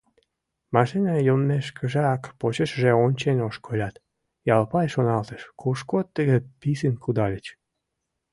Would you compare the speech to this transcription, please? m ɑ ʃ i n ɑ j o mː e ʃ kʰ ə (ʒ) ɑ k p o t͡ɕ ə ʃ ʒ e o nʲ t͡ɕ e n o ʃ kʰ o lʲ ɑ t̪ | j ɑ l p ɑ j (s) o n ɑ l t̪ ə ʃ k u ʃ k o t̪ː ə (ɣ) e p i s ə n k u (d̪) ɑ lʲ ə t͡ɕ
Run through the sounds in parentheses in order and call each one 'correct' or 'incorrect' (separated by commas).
correct, incorrect, correct, correct